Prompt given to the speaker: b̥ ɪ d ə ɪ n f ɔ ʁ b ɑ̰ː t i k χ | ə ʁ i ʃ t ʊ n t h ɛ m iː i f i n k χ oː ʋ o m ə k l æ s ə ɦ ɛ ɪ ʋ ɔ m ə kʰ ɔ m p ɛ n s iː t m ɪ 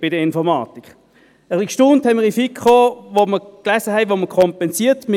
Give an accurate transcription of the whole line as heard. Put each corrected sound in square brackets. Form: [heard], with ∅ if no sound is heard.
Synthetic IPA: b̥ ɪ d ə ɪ n f ɔ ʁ [m] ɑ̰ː t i k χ | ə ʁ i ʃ t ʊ n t h ɛ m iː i f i [∅] k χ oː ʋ o m ə k l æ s ə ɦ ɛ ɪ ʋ [o] m ə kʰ ɔ m p ɛ n s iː t m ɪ